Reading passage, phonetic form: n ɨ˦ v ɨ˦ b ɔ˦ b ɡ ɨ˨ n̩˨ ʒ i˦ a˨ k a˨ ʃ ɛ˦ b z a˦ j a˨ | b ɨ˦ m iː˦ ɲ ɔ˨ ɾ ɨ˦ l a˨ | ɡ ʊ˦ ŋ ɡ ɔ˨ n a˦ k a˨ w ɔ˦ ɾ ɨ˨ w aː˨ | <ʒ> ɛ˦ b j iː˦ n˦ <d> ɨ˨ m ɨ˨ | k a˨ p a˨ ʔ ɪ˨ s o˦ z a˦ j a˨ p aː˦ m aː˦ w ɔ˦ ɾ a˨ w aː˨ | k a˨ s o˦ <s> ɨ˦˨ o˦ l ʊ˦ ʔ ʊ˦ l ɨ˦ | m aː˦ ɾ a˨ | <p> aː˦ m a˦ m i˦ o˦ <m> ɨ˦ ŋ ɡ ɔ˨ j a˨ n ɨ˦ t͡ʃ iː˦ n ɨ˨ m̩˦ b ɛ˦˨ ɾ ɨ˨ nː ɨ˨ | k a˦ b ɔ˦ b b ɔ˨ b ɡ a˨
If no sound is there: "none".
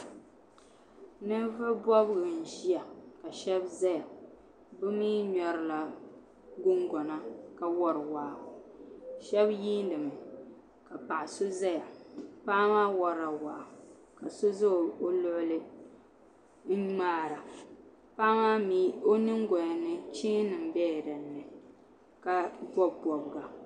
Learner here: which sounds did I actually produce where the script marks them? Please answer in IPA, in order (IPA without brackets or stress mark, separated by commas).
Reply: ʃ, d, z, p, n